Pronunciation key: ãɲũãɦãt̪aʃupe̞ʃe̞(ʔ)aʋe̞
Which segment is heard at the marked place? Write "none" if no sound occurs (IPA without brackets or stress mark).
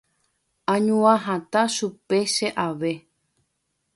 ʔ